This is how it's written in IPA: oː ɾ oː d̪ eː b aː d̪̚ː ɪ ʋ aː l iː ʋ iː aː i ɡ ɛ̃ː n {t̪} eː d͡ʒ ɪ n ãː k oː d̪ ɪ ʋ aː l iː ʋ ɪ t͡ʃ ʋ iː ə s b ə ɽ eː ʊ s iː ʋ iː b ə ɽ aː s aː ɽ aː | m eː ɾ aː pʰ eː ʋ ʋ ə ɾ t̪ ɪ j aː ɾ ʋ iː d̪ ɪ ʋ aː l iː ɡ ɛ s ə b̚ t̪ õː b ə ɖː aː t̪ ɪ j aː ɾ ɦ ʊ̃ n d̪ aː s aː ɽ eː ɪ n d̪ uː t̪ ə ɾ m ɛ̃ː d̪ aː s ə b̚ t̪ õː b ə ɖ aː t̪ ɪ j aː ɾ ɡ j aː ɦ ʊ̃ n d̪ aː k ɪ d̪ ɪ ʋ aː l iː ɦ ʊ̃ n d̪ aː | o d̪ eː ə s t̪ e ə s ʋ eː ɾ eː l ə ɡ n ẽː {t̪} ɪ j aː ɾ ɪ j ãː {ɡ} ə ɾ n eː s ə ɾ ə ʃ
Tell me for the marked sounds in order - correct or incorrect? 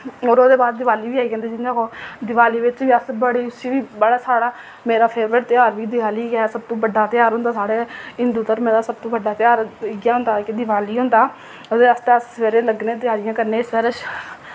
incorrect, correct, incorrect

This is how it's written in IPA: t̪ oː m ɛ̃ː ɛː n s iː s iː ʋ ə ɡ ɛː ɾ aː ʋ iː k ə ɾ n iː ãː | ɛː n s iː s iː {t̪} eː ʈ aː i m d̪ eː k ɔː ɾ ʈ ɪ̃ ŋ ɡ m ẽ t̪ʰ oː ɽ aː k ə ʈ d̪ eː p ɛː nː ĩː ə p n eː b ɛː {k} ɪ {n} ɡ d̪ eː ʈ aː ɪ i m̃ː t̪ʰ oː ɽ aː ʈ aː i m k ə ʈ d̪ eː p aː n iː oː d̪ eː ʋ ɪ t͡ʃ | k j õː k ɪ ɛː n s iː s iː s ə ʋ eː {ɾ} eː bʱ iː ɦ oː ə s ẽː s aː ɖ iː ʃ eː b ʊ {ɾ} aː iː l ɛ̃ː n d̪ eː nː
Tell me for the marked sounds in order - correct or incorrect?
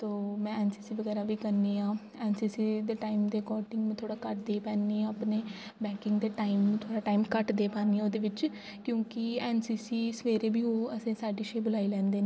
incorrect, correct, incorrect, correct, incorrect

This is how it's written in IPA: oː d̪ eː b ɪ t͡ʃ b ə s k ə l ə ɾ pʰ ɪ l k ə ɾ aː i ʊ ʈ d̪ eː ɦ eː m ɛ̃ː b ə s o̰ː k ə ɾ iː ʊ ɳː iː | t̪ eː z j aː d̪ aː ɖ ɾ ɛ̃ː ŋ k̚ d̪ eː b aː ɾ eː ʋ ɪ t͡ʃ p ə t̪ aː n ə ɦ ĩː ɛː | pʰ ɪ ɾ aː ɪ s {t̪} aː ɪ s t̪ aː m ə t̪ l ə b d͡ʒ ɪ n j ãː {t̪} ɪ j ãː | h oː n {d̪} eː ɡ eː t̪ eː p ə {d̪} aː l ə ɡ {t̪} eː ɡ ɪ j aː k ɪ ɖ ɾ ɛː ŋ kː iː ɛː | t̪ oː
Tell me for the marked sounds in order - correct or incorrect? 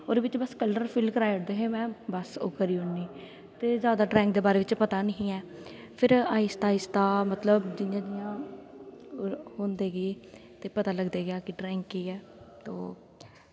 correct, incorrect, correct, incorrect, incorrect

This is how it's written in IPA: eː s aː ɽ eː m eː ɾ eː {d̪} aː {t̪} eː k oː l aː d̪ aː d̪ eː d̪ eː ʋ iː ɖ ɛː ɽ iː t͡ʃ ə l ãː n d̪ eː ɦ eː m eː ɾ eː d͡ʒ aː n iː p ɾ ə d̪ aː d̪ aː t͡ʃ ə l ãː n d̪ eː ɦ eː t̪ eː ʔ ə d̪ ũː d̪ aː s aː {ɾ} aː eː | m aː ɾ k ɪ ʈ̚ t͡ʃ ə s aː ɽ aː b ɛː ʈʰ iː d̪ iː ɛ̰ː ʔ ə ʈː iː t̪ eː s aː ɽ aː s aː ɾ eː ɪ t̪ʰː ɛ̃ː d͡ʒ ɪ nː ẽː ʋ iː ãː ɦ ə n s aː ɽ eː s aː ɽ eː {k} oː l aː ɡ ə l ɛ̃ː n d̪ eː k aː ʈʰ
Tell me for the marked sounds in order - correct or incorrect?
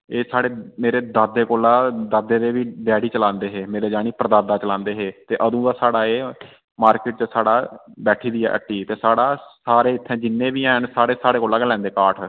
correct, incorrect, incorrect, correct

